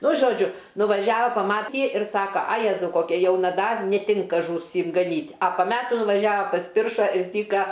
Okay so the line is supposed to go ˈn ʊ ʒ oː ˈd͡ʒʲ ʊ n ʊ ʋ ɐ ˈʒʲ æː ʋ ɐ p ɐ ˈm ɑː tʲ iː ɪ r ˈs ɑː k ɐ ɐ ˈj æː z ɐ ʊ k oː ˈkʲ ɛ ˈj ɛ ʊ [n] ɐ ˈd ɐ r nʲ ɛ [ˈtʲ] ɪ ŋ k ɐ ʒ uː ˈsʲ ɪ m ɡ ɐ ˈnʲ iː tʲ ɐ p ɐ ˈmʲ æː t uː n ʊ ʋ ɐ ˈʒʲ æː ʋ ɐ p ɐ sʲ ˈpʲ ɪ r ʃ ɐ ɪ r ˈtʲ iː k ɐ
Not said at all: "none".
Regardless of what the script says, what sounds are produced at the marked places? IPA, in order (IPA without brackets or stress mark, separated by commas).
n, tʲ